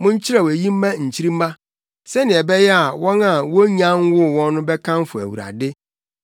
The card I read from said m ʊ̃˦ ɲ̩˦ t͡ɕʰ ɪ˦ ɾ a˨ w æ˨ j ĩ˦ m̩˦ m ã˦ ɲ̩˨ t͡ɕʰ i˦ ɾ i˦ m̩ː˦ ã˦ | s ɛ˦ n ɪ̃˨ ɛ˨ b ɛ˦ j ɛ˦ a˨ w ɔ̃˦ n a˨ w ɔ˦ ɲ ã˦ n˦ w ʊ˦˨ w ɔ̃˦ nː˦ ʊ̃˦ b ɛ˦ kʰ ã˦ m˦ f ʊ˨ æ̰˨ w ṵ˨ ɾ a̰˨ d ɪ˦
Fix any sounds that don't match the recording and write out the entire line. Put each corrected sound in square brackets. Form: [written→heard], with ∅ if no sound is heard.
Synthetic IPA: m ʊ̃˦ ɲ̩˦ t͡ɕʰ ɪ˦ ɾ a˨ w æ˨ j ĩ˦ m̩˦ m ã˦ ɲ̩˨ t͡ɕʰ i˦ ɾ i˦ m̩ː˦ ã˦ | s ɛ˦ n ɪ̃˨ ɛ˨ b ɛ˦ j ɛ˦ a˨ w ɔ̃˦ n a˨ w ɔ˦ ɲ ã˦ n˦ w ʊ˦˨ w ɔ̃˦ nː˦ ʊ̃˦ b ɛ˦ kʰ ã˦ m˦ f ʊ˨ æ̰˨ w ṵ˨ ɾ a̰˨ d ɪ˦

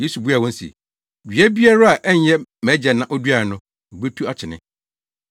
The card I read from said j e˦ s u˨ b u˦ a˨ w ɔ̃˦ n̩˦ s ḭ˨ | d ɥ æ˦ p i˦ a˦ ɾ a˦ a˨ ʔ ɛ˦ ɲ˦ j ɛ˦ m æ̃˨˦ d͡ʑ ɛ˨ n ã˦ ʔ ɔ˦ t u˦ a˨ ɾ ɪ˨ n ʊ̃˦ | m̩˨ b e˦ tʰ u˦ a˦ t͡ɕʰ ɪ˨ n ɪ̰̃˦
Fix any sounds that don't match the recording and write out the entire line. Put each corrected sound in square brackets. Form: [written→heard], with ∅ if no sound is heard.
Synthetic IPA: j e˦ s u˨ b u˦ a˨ w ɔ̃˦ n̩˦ s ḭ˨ | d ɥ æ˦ [p→b] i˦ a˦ ɾ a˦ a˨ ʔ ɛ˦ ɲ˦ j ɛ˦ m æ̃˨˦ d͡ʑ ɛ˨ n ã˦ ʔ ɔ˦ [t→d] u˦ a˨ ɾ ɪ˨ n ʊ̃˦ | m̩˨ b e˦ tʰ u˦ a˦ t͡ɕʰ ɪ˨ n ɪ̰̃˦

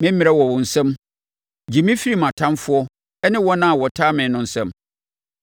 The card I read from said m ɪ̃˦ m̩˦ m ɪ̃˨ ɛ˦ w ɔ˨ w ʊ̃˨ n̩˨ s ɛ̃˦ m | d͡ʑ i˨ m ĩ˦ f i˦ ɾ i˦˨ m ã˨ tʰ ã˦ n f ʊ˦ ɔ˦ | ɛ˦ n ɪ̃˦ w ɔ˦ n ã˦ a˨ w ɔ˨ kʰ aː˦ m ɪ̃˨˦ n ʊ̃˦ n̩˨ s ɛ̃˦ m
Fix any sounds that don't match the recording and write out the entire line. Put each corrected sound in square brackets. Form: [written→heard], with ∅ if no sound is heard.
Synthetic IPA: m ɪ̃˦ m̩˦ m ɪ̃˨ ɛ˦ w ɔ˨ w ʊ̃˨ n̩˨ s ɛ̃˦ m | d͡ʑ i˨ m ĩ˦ f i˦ ɾ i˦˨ m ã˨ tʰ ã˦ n f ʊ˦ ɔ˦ | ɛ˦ n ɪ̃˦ w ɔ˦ n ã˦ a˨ w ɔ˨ [kʰ→tʰ] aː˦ m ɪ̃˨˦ n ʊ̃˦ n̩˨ s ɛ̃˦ m

